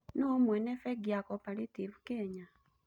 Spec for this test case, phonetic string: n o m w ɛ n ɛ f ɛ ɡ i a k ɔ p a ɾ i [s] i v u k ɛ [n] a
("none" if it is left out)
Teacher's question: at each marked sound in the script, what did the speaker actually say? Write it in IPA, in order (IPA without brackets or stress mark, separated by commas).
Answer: t, ɲ